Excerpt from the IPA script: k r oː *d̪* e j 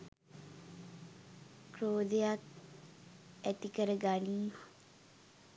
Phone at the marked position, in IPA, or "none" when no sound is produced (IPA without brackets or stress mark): d̪